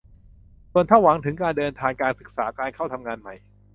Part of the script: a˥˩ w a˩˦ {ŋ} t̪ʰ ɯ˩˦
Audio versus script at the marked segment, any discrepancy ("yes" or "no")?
no